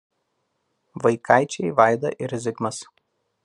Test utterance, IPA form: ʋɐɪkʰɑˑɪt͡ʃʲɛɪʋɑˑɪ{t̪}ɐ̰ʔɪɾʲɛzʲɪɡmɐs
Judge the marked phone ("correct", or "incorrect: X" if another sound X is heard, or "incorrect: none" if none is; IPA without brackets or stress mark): incorrect: d̪